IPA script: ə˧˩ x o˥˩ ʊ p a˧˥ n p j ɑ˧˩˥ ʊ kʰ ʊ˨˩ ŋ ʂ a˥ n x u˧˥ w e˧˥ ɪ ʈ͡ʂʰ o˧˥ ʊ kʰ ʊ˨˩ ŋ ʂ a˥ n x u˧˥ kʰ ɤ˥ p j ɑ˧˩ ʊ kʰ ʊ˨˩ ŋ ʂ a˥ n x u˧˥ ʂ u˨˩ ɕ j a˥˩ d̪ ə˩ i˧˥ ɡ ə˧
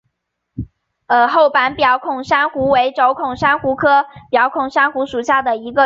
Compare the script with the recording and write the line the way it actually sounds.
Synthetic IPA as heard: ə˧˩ x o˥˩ ʊ p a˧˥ n p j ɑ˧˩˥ ʊ kʰ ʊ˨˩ ŋ ʂ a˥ n x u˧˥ w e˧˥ ɪ ʈ͡ʂ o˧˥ ʊ kʰ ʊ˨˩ ŋ ʂ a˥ n x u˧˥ kʰ ɤ˥ p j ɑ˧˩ ʊ kʰ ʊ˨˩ ŋ ʂ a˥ n x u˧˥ ʂ u˨˩ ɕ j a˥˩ d̪ ə˩ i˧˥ ɡ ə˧

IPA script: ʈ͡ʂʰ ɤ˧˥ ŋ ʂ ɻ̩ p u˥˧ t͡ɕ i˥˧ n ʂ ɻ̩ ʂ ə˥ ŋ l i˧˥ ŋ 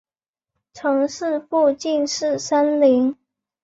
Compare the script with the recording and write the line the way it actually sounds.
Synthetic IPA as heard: ʈ͡ʂʰ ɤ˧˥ ŋ ʂ ɻ̩ p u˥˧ t͡ɕ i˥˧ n ʂ ɻ̩ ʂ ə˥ n l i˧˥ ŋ

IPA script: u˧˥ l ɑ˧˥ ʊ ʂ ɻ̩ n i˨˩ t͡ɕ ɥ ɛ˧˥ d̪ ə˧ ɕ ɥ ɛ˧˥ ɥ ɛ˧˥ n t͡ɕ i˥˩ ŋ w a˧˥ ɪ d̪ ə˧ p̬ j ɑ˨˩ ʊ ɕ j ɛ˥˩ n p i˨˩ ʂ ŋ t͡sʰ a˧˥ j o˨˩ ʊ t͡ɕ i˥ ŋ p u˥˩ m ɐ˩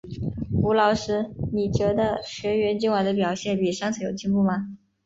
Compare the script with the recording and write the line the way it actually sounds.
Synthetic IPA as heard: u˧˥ l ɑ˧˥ ʊ ʂ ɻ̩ n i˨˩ t͡ɕ ɥ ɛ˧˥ d̪ ə˧ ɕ ɥ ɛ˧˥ ɥ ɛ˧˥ n t͡ɕ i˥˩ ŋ w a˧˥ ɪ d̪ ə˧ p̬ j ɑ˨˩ ʊ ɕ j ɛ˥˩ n p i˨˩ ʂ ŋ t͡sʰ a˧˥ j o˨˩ ʊ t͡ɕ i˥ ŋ p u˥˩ m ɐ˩

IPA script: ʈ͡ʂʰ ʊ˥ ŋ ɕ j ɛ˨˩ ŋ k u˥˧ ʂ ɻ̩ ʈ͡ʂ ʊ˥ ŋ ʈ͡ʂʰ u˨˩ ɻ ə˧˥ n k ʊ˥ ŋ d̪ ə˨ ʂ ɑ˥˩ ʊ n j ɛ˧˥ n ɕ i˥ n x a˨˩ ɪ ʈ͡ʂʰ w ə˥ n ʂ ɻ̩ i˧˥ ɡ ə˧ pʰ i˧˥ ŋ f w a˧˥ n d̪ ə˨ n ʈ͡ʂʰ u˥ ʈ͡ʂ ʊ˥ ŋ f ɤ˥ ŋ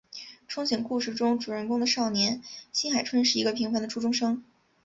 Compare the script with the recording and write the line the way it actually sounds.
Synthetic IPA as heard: ʈ͡ʂʰ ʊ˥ ŋ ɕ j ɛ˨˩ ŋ k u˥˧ ʂ ɻ̩ ʈ͡ʂ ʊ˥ ŋ ʈ͡ʂ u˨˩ ɻ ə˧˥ n k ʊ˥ ŋ d̪ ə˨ ʂ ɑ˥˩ ʊ n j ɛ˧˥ n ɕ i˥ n x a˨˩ ɪ ʈ͡ʂʰ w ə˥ n ʂ ɻ̩ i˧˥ ɡ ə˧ pʰ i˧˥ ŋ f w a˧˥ n d̪ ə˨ ʈ͡ʂʰ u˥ ʈ͡ʂ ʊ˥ ŋ ʂ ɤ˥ ŋ

